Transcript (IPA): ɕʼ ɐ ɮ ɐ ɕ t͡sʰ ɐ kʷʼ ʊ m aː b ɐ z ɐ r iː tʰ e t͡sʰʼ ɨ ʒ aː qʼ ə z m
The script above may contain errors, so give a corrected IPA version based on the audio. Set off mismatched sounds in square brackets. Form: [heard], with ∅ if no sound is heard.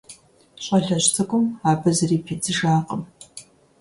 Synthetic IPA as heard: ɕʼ ɐ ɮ ɐ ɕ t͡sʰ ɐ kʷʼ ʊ m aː b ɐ z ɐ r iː [pʰ] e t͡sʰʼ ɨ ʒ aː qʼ ə [∅] m